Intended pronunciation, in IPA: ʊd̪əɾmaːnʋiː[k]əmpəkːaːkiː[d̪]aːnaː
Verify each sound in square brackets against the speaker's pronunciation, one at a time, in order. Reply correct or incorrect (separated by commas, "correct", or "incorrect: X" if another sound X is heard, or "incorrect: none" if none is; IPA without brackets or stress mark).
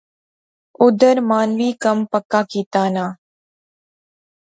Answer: correct, incorrect: t̪